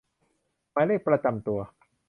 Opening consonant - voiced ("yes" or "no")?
yes